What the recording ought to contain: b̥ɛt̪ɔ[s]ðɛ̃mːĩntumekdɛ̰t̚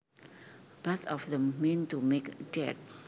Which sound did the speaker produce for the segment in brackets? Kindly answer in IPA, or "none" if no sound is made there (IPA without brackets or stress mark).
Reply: f